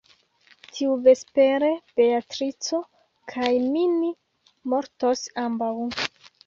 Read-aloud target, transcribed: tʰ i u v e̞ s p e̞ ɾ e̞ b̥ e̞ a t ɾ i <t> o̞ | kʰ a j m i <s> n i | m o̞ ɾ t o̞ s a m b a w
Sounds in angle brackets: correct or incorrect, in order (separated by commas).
incorrect, incorrect